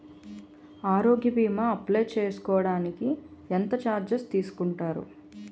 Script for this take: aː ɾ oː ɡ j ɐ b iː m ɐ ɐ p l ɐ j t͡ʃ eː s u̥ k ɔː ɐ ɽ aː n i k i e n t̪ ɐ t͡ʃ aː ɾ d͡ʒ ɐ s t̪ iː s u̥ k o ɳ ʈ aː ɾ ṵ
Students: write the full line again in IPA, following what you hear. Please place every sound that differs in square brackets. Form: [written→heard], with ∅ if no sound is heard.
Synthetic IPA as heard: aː ɾ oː ɡ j ɐ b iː m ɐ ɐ p l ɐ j t͡ʃ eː s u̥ k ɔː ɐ ɽ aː n i k i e n t̪ ɐ t͡ʃ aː ɾ d͡ʒ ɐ s t̪ iː s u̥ k [o→u] ɳ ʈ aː ɾ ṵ

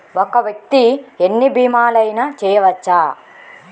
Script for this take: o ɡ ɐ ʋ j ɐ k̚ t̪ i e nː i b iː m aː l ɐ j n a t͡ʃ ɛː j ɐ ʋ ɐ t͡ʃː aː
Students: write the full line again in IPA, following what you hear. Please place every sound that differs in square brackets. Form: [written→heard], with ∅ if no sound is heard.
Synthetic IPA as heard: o [ɡ→k] ɐ ʋ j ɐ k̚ t̪ i e nː i b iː m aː l ɐ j n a t͡ʃ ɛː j ɐ ʋ ɐ t͡ʃː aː

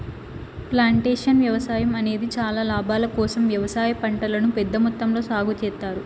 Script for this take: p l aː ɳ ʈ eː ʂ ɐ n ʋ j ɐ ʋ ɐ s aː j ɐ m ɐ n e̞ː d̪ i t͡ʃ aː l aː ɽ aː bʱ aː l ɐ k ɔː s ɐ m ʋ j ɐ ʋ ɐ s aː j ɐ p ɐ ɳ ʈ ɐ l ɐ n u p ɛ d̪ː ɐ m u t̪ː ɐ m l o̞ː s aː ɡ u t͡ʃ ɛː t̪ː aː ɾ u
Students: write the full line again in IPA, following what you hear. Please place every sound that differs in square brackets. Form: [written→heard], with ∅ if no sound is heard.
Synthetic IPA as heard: p l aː ɳ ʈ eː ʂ ɐ n ʋ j ɐ ʋ ɐ s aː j ɐ m ɐ n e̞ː d̪ i t͡ʃ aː l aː [ɽ→l] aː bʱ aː l ɐ k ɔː s ɐ m ʋ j ɐ ʋ ɐ s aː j ɐ p ɐ ɳ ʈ ɐ l ɐ n u p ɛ d̪ː ɐ m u t̪ː ɐ m l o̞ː s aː ɡ u t͡ʃ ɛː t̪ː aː ɾ u

